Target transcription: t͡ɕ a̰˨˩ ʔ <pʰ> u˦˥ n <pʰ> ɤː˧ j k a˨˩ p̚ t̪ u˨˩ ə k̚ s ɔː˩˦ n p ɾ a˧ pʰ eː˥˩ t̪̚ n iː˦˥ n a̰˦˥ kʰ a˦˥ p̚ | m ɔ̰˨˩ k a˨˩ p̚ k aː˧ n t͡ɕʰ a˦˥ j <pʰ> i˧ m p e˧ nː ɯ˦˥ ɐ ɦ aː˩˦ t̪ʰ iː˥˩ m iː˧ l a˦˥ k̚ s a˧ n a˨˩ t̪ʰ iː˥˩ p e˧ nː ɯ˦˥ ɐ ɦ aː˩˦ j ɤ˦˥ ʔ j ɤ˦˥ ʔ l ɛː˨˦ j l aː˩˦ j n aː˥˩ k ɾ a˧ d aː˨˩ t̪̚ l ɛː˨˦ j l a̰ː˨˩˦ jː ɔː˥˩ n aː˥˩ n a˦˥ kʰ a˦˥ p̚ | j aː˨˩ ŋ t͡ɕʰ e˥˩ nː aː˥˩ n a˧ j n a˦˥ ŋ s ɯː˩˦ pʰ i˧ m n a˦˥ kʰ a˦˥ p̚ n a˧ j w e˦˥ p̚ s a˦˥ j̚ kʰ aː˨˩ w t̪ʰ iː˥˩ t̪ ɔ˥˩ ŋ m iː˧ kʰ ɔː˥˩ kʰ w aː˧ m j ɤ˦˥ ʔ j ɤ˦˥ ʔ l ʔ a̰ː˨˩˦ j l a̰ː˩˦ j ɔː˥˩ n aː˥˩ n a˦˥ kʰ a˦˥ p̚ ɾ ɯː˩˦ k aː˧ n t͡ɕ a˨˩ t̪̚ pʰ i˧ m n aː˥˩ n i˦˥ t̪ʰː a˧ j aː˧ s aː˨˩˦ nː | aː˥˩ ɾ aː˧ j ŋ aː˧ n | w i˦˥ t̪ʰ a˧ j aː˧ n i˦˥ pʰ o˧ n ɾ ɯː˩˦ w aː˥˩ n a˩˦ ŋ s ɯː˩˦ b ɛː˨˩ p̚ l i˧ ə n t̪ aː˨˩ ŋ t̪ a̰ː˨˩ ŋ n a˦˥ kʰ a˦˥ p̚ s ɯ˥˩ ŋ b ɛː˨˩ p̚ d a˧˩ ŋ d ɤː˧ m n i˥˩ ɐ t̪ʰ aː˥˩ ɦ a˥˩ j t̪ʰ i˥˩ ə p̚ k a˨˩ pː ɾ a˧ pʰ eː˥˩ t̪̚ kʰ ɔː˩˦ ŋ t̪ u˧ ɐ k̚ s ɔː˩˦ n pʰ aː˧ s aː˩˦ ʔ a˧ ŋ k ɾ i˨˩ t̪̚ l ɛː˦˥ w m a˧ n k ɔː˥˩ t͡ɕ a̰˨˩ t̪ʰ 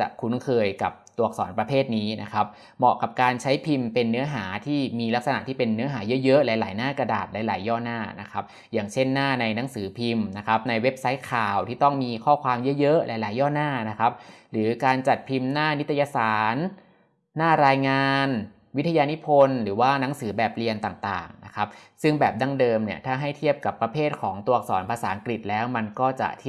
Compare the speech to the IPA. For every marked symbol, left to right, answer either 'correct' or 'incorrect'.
incorrect: kʰ, incorrect: kʰ, correct

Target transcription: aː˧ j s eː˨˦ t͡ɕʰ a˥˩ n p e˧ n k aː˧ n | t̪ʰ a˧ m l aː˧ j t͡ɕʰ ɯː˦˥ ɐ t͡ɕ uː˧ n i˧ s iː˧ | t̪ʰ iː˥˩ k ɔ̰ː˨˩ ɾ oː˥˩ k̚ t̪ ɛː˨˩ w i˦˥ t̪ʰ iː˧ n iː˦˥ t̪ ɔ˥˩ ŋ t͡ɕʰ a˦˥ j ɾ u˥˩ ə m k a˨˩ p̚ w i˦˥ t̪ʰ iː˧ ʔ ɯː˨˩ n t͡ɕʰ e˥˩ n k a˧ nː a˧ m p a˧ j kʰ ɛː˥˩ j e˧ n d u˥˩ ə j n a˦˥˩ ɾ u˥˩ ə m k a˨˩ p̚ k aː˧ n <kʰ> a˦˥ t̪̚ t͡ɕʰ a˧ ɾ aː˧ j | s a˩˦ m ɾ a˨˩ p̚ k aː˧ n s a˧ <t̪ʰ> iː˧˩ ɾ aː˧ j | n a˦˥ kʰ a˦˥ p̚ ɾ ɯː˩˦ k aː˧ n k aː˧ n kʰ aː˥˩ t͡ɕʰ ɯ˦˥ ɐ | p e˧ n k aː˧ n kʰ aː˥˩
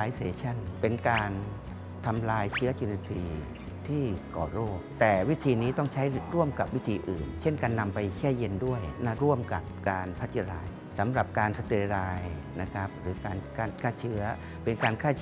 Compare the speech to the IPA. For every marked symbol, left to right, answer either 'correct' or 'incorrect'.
incorrect: pʰ, incorrect: t̪

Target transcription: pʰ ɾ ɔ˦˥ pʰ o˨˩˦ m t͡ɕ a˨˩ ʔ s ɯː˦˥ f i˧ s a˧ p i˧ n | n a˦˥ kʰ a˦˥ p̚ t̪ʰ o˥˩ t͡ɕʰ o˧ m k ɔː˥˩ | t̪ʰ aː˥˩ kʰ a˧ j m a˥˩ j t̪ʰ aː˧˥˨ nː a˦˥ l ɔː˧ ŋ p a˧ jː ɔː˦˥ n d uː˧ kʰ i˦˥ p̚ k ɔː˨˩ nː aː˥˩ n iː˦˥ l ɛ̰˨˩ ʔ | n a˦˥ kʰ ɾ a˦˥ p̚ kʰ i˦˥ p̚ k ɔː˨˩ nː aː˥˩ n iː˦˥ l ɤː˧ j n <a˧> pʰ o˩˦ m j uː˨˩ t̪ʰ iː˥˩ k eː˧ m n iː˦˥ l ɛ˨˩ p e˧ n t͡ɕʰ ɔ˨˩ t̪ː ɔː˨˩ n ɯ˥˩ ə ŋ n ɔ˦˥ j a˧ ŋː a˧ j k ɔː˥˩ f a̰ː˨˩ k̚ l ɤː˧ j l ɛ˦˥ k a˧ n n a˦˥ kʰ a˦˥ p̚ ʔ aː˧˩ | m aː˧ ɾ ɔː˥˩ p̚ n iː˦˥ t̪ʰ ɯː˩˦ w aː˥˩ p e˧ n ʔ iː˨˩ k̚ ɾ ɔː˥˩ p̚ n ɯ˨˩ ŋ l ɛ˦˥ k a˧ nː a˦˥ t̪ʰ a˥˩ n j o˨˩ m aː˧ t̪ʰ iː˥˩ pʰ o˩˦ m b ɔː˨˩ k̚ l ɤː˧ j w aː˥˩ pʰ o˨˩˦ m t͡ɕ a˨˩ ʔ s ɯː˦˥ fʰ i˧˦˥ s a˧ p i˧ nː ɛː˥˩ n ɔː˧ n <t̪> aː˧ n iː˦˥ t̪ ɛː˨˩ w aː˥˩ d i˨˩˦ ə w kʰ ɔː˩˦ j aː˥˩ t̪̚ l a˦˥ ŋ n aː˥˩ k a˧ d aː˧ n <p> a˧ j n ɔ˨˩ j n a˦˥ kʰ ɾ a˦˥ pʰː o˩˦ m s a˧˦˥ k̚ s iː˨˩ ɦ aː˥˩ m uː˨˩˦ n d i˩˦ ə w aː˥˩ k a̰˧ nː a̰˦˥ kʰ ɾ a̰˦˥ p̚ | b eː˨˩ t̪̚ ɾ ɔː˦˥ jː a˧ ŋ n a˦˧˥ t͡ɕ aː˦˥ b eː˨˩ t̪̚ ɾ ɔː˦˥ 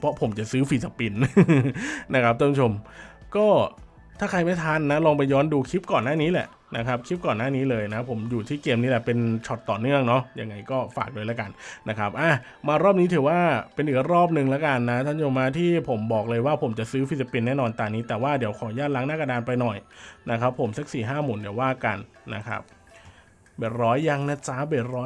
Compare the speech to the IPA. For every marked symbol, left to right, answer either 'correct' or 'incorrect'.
incorrect: a˦˥, correct, correct

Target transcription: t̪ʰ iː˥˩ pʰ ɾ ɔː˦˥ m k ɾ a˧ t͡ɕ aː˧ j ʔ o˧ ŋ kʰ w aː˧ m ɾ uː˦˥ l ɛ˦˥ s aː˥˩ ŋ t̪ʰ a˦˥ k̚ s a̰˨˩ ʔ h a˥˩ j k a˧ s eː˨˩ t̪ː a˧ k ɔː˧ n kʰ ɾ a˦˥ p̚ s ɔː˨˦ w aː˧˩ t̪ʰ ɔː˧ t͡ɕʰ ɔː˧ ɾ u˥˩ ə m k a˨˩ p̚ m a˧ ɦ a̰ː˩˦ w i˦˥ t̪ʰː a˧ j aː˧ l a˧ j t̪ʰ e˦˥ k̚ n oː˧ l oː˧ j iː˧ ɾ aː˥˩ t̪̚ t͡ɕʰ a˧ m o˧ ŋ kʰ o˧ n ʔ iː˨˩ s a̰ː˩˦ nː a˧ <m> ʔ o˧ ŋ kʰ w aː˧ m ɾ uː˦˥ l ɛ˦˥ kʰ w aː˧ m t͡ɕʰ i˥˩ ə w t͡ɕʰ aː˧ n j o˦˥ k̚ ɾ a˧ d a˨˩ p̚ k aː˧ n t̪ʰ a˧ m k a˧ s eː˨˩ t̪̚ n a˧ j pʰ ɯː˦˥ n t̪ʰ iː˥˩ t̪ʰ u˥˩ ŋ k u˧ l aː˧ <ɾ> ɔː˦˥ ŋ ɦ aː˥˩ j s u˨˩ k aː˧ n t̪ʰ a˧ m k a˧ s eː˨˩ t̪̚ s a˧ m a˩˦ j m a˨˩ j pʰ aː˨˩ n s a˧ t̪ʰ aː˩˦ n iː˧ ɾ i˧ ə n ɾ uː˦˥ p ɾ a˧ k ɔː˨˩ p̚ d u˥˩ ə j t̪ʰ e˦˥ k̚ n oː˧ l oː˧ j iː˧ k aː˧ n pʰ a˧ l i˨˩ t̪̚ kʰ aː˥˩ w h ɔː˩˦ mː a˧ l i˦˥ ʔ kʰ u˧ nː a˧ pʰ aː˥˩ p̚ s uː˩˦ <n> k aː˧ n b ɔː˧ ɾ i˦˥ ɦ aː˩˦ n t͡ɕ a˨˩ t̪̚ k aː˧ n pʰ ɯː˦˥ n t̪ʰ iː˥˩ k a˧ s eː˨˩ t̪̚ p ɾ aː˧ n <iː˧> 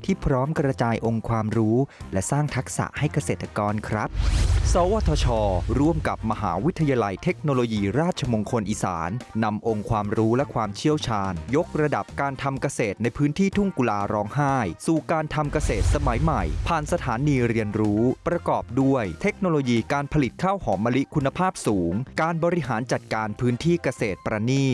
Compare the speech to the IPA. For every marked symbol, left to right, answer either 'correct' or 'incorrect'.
correct, correct, incorrect: ŋ, incorrect: iː˥˩

